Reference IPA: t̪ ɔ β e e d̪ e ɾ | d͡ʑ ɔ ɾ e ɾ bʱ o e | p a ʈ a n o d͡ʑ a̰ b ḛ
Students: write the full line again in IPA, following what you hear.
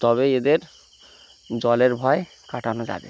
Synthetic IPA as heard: t̪ ɔ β e e d̪ e ɾ | d͡ʑ ɔ l e ɾ bʱ ɔ e | k a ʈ a n o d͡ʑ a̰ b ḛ